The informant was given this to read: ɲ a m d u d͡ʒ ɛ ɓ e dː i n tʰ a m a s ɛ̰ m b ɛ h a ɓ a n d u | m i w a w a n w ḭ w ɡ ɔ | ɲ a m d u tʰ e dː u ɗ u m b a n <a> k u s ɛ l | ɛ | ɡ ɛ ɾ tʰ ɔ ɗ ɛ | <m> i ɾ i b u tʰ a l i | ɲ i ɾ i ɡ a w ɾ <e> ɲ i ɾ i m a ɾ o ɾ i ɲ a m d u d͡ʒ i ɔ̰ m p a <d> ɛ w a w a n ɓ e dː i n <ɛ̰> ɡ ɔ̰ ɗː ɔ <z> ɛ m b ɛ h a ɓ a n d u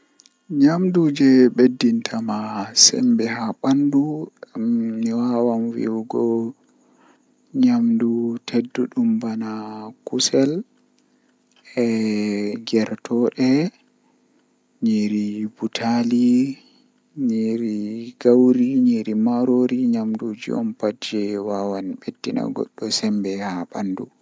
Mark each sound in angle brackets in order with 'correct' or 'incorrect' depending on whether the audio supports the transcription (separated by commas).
correct, incorrect, incorrect, incorrect, incorrect, incorrect